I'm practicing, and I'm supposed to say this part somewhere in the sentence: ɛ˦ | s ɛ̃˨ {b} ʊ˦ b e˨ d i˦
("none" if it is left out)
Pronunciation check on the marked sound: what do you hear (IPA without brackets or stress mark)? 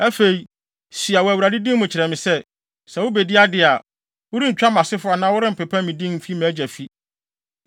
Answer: w